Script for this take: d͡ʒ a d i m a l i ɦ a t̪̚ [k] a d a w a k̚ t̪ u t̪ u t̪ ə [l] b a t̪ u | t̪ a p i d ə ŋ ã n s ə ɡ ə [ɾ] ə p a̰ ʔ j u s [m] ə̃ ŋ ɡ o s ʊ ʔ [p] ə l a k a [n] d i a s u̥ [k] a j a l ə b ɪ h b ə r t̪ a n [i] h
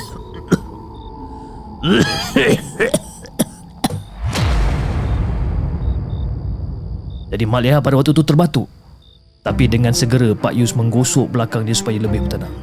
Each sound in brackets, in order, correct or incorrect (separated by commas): incorrect, incorrect, correct, correct, incorrect, incorrect, incorrect, incorrect